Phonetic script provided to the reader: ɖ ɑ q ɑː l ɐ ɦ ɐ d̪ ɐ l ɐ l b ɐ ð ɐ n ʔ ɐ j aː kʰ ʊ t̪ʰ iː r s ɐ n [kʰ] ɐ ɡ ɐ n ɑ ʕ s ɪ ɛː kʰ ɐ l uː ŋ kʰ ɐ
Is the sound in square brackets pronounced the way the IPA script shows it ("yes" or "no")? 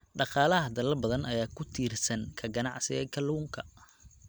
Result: yes